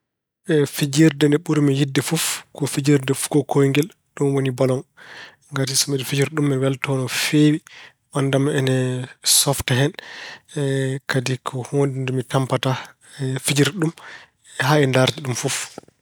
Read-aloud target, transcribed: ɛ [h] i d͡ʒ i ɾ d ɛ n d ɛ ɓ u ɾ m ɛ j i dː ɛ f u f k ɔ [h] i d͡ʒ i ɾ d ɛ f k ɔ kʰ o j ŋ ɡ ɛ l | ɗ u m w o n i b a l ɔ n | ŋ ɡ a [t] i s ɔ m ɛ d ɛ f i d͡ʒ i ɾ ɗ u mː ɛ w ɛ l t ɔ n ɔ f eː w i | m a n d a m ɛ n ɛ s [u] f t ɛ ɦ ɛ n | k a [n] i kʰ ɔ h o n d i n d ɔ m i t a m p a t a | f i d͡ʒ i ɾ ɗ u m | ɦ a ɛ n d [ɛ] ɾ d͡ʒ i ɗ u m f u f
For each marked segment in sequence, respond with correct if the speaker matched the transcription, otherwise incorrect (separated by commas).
incorrect, incorrect, correct, incorrect, incorrect, incorrect